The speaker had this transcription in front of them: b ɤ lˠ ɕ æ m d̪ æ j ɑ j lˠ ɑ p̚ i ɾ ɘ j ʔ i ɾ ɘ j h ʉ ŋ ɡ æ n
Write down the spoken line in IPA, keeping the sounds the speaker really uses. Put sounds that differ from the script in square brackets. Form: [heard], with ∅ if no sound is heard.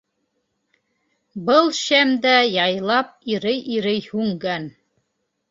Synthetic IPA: b ɤ lˠ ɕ æ m d̪ æ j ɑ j lˠ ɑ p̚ i ɾ ɘ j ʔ i ɾ ɘ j h ʉ ŋ ɡ æ n